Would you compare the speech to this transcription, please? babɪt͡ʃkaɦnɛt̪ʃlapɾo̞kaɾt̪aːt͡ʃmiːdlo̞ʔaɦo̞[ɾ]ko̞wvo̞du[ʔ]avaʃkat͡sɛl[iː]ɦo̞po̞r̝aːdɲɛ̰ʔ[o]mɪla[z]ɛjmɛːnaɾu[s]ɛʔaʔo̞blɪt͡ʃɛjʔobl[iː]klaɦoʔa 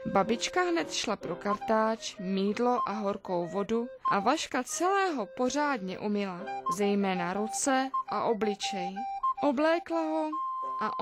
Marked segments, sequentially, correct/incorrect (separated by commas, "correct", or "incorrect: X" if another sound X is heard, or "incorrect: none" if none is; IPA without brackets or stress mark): correct, correct, incorrect: ɛː, incorrect: u, correct, incorrect: t͡s, incorrect: ɛː